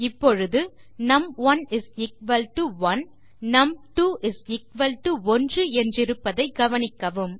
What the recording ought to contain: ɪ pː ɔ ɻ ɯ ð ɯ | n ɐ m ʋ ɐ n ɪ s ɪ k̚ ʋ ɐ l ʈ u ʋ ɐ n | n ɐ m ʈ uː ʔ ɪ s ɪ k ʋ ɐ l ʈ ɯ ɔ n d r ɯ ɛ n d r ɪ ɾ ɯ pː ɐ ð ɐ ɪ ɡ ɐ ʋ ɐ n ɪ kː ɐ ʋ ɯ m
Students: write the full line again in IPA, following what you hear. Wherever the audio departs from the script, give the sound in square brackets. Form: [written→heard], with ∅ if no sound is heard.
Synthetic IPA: ɪ pː ɔ ɻ ɯ ð ɯ | n ɐ m ʋ ɐ n ɪ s ɪ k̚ ʋ ɐ l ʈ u ʋ ɐ n | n ɐ m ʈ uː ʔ ɪ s ɪ k ʋ ɐ l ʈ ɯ ɔ n d r ɯ ɛ n d r ɪ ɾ ɯ pː ɐ ð ɐ ɪ ɡ ɐ ʋ ɐ n ɪ kː ɐ ʋ ɯ m